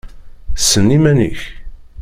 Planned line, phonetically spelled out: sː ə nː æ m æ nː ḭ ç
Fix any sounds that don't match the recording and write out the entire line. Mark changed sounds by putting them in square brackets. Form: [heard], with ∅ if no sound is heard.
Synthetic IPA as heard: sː ə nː [i] m æ [n] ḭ ç